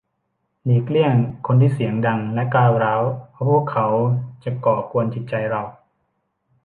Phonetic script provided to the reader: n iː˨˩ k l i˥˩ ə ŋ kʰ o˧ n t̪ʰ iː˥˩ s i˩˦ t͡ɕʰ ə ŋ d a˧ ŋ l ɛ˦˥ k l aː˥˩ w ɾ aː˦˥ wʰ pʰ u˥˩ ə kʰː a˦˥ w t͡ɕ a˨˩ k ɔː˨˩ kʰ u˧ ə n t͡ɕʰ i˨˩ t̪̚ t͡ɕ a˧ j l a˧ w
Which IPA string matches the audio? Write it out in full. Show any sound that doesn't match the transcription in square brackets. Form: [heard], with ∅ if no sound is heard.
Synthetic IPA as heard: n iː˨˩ k l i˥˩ ə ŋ kʰ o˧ n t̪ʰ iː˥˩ s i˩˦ [∅] ə ŋ d a˧ ŋ l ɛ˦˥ k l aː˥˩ w ɾ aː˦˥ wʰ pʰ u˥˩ ə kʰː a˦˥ w t͡ɕ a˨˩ k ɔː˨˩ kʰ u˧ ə n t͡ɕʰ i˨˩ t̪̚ t͡ɕ a˧ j [ɾ] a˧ w

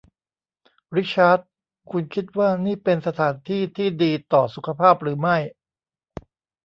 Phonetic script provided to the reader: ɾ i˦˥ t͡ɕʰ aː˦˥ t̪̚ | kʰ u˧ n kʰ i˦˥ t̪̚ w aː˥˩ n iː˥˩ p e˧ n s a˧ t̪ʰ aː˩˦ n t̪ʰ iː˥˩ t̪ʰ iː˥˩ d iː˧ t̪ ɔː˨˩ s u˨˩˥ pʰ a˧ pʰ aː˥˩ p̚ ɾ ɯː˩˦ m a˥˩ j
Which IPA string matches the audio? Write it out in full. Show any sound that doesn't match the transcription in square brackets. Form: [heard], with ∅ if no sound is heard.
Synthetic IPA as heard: ɾ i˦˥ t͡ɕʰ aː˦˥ t̪̚ | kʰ u˧ n kʰ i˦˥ t̪̚ w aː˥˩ n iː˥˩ p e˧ n s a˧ t̪ʰ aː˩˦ n t̪ʰ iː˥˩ t̪ʰ iː˥˩ d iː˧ t̪ ɔː˨˩ s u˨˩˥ [kʰ] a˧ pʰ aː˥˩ p̚ ɾ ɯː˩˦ m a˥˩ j

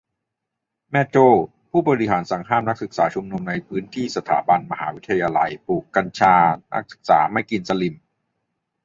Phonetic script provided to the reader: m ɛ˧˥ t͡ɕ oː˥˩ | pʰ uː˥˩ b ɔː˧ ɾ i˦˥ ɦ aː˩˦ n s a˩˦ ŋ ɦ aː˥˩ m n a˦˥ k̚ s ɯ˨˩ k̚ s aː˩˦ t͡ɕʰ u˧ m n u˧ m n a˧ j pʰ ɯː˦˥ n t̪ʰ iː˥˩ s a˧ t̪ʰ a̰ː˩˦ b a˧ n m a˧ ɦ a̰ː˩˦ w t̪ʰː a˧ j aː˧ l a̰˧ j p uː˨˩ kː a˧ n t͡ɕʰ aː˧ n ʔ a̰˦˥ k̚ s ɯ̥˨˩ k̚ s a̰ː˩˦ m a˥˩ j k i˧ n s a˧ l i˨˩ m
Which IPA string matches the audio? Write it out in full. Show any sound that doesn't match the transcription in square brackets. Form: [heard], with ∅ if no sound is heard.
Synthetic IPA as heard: m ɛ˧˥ t͡ɕ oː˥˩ | pʰ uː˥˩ b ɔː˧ ɾ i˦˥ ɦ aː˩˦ n s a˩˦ ŋ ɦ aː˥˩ m n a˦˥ k̚ s ɯ˨˩ k̚ s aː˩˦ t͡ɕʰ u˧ m n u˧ m n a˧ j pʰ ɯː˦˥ n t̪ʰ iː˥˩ s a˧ t̪ʰ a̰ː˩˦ b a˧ n m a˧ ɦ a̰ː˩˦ w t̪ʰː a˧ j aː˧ l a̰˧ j p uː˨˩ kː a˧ n t͡ɕʰ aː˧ n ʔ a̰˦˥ k̚ s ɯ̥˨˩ k̚ s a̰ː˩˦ m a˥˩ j k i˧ n s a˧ l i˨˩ m

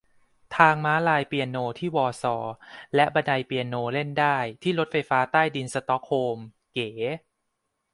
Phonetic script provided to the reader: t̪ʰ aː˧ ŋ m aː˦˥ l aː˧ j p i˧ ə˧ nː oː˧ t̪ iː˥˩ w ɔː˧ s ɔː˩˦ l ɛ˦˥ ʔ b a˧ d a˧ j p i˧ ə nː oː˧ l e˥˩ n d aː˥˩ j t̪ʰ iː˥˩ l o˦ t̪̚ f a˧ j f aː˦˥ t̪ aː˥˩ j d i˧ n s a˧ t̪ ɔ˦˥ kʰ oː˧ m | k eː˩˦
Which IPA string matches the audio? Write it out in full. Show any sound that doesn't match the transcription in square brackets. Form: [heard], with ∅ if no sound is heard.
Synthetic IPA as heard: t̪ʰ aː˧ ŋ m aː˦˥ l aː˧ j p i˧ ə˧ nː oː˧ [t̪ʰ] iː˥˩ w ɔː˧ s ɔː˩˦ l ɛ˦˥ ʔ b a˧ d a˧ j p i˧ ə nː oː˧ l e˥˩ n d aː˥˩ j t̪ʰ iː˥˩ l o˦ t̪̚ f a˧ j f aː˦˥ t̪ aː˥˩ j d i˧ n s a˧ t̪ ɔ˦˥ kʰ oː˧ m | k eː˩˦

